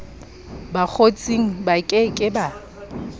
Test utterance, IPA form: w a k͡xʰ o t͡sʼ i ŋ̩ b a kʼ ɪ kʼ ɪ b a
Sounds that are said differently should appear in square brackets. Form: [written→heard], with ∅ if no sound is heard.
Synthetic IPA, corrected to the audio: [w→b] a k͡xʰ o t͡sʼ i ŋ̩ b a kʼ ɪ kʼ ɪ b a

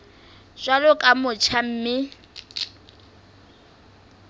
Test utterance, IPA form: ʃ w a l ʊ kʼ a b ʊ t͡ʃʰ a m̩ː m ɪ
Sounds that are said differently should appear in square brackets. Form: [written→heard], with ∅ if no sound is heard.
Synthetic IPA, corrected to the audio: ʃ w a l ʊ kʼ a [b→m] ʊ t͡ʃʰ a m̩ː m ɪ

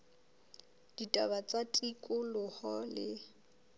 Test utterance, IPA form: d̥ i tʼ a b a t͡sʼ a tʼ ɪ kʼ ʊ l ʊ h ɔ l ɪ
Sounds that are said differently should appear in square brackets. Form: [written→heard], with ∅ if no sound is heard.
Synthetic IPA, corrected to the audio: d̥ i tʼ a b a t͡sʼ a tʼ [ɪ→i] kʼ ʊ l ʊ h ɔ l ɪ

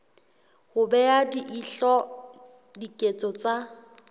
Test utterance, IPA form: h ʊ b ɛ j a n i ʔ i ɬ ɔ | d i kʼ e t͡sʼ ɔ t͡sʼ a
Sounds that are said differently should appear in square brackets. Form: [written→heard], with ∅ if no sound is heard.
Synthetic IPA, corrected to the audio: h ʊ b ɛ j a [n→d] i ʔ i ɬ ɔ | d i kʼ e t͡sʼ ɔ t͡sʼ a

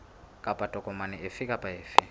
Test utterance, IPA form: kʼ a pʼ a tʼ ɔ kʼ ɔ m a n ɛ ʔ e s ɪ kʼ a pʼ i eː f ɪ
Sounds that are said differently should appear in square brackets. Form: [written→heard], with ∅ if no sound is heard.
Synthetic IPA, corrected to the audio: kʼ a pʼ a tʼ ɔ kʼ ɔ m a n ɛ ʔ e [s→f] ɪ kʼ a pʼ [i→a] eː f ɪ

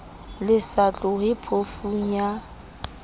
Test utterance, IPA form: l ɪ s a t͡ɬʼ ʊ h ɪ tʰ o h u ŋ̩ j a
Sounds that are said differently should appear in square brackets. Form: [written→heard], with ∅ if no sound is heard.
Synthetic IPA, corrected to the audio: l ɪ s a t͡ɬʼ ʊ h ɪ [tʰ→pʰ] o [h→f] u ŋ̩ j a

